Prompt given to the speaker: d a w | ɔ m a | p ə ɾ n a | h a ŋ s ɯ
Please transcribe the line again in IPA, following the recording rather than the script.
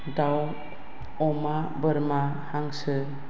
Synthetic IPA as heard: d a w | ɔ m a | b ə ɾ m a | h a ŋ s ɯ

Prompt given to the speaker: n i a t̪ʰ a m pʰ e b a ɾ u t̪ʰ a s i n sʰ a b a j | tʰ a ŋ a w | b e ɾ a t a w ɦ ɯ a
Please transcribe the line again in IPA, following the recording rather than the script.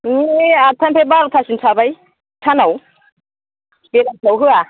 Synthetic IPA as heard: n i a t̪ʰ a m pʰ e b a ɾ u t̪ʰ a s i n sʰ a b a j | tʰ a n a w | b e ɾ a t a w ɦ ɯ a

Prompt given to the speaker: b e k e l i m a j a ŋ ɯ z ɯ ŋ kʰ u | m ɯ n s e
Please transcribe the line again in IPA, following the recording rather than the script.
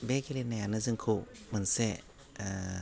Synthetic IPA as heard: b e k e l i n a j a n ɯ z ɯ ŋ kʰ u | m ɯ n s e

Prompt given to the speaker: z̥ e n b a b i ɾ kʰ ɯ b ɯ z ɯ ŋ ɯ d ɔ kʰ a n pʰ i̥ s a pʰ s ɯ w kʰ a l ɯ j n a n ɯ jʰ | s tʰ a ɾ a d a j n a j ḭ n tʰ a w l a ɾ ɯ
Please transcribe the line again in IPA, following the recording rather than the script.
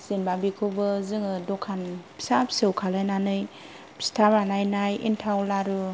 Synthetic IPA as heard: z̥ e n b a b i kʰ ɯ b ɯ z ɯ ŋ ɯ d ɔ kʰ a n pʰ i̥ s a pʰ s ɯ w kʰ a l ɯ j n a n ɯ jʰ | s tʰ a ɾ a n a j n a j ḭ n tʰ a w l a ɾ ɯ

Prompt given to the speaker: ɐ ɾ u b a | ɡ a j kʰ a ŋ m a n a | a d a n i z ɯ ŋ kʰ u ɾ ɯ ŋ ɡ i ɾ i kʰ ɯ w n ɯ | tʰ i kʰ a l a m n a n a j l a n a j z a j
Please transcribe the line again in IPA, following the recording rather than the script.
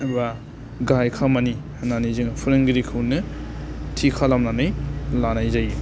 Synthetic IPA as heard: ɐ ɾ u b a | ɡ a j kʰ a m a n i | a n a n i z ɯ ŋ pʰ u ɾ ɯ ŋ ɡ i ɾ i kʰ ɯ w n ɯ | tʰ i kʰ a l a m n a n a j l a n a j z a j

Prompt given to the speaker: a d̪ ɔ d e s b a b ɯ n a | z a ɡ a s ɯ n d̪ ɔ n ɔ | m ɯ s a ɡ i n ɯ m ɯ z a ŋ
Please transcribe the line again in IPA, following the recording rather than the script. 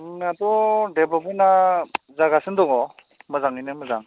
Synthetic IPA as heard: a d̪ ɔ d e b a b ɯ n a | z a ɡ a s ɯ n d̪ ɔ ŋ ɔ | m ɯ z a ŋ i n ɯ m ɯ z a ŋ

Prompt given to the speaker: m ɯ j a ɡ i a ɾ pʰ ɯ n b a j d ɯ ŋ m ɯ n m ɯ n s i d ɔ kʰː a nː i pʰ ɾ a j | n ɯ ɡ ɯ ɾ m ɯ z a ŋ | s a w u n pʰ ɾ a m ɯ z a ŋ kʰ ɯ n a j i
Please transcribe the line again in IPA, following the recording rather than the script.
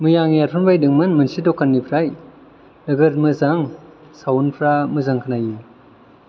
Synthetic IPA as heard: m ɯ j a ŋ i a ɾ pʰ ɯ n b a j d ɯ ŋ m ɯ n m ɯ n s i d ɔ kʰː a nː i pʰ ɾ a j | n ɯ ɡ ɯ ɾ m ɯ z a ŋ | s a w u n pʰ ɾ a m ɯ z a ŋ kʰ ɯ n a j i

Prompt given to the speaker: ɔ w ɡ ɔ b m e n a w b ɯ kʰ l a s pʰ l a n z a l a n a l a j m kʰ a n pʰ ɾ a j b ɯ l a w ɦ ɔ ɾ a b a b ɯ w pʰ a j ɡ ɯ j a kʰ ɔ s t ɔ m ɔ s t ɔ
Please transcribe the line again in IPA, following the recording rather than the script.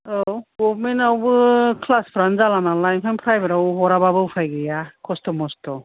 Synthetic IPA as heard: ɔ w ɡ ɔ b m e n a w b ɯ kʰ l a s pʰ ɾ a n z a l a n a l a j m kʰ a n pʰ ɾ a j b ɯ ɾ a w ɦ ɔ ɾ a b a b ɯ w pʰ a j ɡ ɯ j a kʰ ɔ s t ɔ m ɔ s t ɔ

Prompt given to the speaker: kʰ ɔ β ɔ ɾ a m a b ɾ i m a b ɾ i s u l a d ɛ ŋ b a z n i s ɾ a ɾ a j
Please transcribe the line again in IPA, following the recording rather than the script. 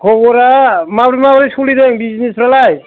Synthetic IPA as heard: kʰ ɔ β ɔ ɾ a m a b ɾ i m a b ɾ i s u l i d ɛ ŋ b i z n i s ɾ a l a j

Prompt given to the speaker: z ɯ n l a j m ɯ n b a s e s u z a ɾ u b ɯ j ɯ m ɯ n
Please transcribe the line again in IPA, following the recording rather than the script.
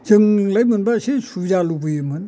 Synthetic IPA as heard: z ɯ ŋ l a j m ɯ n b a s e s u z a l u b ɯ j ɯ m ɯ n

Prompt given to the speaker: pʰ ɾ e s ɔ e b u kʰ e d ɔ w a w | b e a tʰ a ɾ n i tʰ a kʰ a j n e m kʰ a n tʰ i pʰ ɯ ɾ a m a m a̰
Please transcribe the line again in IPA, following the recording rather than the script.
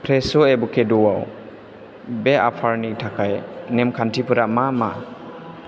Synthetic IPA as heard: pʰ ɾ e s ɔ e b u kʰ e d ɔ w a w | b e a pʰ a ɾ n i tʰ a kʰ a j n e m kʰ a n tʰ i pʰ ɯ ɾ a m a m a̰

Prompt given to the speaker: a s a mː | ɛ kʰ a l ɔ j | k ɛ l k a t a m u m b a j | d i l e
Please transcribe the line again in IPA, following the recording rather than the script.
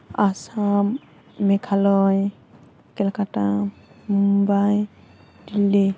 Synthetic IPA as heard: a s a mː | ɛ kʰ a l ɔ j | k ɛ l k a t a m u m b a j | d i l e

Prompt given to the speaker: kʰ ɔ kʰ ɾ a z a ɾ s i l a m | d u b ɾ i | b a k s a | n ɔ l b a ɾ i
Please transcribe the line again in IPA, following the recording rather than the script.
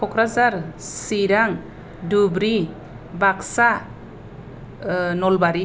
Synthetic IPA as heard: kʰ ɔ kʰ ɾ a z a ɾ s i ɾ a ŋ | d u b ɾ i | b a k s a | n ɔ l b a ɾ i

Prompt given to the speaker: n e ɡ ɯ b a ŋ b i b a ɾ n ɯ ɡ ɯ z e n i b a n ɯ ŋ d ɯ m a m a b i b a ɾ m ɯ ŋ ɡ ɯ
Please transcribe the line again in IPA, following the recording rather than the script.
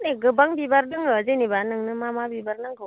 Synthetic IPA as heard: n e ɡ ɯ b a ŋ b i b a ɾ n ɯ ŋ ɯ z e n i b a n ɯ ŋ n ɯ m a m a b i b a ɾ n ɯ ŋ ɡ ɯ

